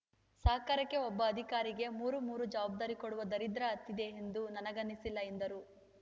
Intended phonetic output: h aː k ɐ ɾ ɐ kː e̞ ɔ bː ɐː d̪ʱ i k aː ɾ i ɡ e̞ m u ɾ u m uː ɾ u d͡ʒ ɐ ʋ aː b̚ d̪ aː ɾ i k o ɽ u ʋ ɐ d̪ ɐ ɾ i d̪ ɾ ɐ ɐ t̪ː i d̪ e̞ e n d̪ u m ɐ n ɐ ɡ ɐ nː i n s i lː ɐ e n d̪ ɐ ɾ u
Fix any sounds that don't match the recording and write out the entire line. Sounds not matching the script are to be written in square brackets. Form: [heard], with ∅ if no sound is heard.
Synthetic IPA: [s] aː k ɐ ɾ ɐ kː e̞ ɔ bː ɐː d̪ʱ i k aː ɾ i ɡ e̞ m [uː] ɾ u m uː ɾ u d͡ʒ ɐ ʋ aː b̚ d̪ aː ɾ i k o ɽ u ʋ ɐ d̪ ɐ ɾ i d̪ ɾ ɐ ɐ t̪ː i d̪ e̞ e n d̪ u [n] ɐ n ɐ ɡ ɐ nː i [∅] s i lː ɐ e n d̪ ɐ ɾ u